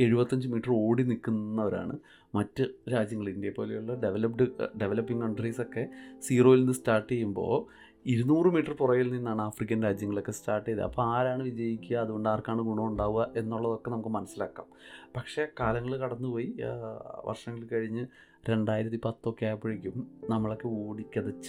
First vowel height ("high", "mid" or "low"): mid